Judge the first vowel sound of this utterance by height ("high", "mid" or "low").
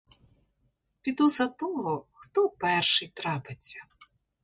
high